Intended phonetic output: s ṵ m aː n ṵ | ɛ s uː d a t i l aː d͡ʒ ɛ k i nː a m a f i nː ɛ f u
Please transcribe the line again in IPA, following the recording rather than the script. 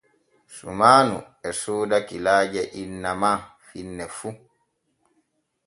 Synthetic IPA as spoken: s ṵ m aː n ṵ | ɛ s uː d a k i l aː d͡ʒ ɛ ʔ i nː a m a f i nː ɛ f u